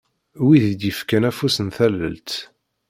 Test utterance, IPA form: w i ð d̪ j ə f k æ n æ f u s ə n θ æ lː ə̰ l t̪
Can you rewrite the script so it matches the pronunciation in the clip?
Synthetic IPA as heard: w i ð d̪ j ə f k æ n æ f u s ə n θ æ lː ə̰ l t̪